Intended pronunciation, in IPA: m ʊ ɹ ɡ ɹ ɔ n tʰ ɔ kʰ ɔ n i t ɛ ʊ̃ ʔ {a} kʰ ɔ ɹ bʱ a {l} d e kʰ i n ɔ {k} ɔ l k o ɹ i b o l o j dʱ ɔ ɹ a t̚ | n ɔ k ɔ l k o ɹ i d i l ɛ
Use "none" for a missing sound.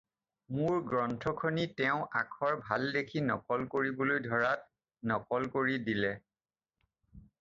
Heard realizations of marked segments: a, l, k

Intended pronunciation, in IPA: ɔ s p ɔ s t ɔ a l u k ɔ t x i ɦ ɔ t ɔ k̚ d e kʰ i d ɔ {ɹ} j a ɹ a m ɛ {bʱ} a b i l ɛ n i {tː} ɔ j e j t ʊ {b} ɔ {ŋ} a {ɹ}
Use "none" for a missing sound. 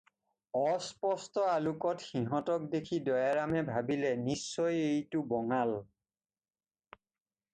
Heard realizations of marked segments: none, bʱ, sː, b, ŋ, l

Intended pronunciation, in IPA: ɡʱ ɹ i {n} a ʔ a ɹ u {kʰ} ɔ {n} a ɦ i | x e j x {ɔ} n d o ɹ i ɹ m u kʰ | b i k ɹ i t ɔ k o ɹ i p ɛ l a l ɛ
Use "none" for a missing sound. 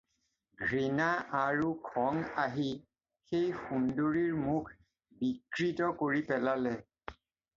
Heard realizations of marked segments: n, kʰ, ŋ, u

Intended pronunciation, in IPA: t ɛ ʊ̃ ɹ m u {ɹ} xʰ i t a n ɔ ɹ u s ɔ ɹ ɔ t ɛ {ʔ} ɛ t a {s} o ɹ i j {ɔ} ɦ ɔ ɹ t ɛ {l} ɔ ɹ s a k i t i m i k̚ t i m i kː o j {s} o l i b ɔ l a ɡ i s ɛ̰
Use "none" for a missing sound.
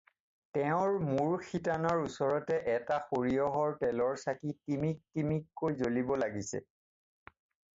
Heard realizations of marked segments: ɹ, ʔ, x, ɔ, l, z

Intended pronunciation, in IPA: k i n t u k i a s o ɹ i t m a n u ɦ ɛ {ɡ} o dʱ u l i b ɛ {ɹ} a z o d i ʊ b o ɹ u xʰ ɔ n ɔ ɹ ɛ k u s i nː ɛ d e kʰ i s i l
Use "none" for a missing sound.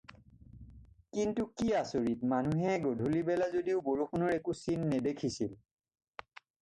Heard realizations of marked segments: ɡ, l

